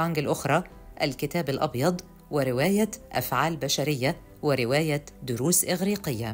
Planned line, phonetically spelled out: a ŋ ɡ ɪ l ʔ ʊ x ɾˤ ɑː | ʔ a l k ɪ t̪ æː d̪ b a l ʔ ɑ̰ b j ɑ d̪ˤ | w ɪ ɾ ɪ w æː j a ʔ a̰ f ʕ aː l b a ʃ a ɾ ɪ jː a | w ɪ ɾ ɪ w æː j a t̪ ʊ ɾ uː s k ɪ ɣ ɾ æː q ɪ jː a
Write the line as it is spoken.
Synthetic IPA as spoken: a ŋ ɡ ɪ l ʔ ʊ x ɾˤ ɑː | ʔ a l k ɪ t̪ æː b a l ʔ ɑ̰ b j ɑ d̪ˤ | w ɪ ɾ ɪ w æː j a ʔ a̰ f ʕ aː l b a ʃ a ɾ ɪ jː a | w ɪ ɾ ɪ w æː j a d̪ ʊ ɾ uː s ʔ ɪ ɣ ɾ iː q ɪ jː a